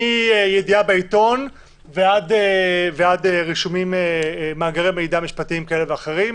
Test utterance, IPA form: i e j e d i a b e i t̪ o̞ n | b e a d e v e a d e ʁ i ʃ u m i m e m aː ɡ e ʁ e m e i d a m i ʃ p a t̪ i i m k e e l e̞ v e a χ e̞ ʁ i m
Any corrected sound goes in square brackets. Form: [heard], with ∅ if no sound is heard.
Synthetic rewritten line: i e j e d i a b e i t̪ o̞ n | [v] e a d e v e a d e ʁ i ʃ u m i m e m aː ɡ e ʁ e m e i d a m i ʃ p a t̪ i i m k [a] e l e̞ v e a χ e̞ ʁ i m